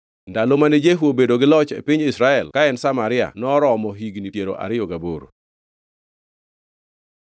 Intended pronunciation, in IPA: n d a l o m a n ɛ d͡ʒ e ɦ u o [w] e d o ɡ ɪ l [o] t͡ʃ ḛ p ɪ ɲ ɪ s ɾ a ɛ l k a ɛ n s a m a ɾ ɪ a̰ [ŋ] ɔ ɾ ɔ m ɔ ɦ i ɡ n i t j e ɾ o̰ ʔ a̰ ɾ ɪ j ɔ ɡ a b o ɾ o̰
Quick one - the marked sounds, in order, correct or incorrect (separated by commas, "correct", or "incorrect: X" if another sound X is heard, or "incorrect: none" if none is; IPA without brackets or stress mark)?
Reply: incorrect: b, incorrect: ɔ, incorrect: n